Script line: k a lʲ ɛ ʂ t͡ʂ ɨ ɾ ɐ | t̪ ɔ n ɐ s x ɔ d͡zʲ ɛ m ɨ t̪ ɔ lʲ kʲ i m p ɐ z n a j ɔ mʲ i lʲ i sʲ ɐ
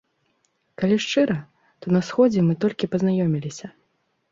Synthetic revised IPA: k a lʲ i ʂ t͡ʂ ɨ ɾ ɐ | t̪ ɔ n ɐ s x ɔ d͡zʲ ɛ m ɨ t̪ ɔ lʲ kʲ i p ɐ z n a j ɔ mʲ i lʲ i sʲ ɐ